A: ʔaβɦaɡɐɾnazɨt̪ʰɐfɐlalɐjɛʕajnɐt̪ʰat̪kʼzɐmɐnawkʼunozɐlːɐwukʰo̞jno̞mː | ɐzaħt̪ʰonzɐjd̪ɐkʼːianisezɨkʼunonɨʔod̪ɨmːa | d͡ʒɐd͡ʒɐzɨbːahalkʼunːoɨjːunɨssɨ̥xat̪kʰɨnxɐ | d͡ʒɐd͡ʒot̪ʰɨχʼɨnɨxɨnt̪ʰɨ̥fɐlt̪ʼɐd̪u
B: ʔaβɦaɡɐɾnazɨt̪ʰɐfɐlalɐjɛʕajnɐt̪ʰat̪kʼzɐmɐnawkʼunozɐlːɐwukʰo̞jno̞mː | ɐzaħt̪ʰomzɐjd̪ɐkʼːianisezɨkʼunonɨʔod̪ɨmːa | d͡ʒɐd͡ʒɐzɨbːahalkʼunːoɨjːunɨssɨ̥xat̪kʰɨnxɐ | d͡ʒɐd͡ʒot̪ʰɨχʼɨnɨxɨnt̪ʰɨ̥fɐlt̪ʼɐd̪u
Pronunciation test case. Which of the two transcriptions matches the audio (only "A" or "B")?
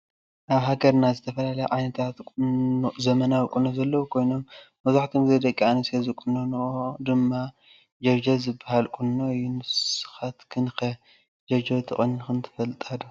B